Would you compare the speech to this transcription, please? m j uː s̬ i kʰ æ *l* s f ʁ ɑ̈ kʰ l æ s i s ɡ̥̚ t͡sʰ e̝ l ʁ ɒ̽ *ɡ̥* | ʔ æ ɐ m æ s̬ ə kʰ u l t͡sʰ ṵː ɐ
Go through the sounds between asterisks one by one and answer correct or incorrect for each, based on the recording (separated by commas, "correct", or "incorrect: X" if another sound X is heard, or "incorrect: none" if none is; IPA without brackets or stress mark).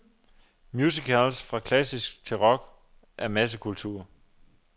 correct, correct